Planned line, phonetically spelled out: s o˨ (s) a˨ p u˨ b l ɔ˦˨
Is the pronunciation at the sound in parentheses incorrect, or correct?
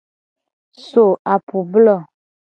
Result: incorrect: none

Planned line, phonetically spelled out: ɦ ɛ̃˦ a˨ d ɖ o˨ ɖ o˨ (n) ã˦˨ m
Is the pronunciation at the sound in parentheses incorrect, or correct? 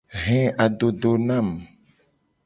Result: correct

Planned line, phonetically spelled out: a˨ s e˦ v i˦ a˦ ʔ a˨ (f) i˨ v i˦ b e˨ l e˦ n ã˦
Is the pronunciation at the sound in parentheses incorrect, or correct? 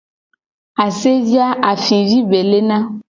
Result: correct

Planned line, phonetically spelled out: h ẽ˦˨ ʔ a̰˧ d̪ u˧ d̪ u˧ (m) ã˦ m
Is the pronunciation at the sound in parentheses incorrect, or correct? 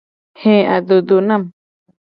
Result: incorrect: n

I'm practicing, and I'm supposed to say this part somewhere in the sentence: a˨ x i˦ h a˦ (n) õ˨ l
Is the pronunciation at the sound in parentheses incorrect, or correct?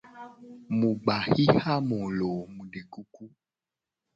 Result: incorrect: m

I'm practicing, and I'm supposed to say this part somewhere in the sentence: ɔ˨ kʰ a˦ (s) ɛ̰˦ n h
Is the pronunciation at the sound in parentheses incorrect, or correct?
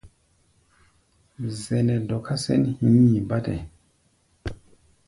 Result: correct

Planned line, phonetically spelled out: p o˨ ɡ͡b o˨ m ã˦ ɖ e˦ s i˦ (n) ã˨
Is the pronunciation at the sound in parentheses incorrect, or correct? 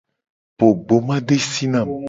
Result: correct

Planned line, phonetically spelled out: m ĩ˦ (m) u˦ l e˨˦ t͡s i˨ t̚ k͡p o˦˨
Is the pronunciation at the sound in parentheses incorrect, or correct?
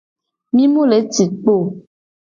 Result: correct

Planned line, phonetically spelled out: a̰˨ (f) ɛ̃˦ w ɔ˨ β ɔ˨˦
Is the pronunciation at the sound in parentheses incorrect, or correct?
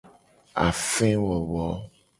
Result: correct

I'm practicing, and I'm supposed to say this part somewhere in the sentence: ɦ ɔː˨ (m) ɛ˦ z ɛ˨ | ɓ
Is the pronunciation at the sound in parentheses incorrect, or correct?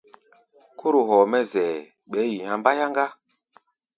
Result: correct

